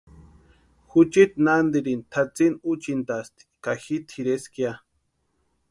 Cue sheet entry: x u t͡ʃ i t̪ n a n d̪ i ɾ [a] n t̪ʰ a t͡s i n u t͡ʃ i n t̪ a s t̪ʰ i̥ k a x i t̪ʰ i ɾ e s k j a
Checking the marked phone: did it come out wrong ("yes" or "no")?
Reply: yes